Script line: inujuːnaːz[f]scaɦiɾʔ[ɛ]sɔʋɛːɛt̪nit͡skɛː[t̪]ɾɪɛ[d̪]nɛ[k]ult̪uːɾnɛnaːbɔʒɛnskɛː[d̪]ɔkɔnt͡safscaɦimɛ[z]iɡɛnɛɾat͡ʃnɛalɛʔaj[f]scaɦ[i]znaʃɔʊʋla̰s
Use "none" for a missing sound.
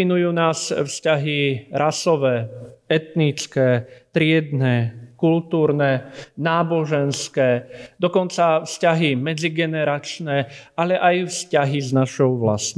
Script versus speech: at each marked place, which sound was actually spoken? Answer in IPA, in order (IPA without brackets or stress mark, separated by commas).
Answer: f, a, t̪, d̪, k, d̪, d͡z, f, i